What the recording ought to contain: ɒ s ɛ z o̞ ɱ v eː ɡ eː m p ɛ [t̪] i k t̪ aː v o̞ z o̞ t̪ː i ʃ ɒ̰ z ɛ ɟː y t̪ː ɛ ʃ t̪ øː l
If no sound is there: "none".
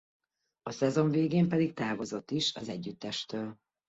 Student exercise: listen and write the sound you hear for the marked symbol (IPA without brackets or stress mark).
d̪